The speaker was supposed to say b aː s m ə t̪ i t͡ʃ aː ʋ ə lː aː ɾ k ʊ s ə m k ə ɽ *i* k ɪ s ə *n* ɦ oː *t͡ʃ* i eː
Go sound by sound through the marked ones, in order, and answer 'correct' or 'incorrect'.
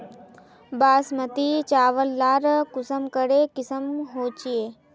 incorrect, incorrect, correct

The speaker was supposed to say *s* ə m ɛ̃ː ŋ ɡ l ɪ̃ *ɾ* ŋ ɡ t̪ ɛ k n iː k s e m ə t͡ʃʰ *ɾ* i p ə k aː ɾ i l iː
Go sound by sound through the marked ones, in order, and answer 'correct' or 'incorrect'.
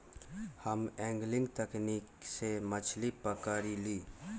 incorrect, incorrect, incorrect

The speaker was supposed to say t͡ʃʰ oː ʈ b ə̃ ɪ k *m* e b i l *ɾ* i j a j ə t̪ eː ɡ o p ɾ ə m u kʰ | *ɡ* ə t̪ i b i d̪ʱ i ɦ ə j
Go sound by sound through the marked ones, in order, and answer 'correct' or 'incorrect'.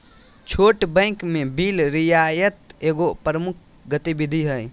correct, correct, correct

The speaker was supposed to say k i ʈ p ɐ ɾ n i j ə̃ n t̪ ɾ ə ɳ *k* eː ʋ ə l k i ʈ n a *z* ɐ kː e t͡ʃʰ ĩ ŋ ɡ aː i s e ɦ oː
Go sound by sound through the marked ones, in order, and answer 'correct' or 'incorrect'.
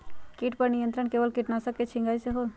correct, incorrect

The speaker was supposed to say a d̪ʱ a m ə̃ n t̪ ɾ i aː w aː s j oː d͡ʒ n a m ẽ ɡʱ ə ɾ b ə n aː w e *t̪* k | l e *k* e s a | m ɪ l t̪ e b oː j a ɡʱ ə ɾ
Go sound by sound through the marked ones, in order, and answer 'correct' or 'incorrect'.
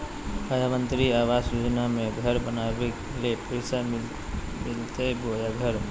incorrect, incorrect

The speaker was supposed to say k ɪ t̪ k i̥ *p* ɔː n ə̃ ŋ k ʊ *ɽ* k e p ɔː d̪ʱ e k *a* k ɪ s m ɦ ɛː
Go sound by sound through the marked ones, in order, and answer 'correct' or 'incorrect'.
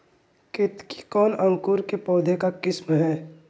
incorrect, incorrect, correct

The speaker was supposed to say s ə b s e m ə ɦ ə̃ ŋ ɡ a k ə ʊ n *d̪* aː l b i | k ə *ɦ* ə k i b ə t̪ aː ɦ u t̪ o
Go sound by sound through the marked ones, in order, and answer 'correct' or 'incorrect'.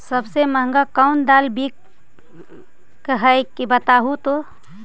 correct, correct

